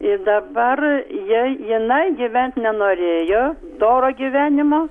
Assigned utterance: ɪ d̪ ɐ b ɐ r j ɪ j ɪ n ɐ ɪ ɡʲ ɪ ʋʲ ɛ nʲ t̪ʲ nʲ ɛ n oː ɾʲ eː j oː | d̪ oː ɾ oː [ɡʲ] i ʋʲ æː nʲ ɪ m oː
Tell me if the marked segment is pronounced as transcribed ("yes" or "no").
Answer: yes